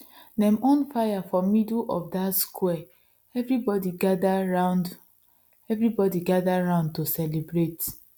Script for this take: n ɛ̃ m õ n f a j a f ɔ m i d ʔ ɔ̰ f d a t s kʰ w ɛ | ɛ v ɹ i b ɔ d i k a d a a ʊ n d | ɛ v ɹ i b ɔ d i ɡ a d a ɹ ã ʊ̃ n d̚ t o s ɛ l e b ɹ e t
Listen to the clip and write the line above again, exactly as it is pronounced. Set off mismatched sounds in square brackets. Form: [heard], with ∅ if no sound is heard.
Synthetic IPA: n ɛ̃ m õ n f a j a f ɔ m i d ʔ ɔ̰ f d a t s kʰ w ɛ | ɛ v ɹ i b ɔ d i [ɡ] a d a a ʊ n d | ɛ v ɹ i b ɔ d i ɡ a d a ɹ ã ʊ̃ n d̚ t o s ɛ l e b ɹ e t